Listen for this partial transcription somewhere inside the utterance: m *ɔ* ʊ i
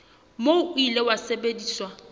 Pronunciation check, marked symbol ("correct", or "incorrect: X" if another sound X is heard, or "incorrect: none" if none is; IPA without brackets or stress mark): incorrect: o